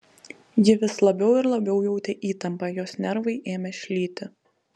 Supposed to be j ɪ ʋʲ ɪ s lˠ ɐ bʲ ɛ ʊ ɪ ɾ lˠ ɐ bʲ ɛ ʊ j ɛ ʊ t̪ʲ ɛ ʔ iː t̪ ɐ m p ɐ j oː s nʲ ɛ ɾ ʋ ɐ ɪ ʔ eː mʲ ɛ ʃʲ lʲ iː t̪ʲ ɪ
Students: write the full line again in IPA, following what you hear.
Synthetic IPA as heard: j ɪ ʋʲ ɪ s lˠ ɐ bʲ ɛ ʊ ɪ ɾ lˠ ɐ bʲ ɛ ʊ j ɛ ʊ t̪ʲ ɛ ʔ iː t̪ ɐ m p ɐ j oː s nʲ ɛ ɾ ʋ ɐ ɪ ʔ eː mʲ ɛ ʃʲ lʲ iː t̪ʲ ɪ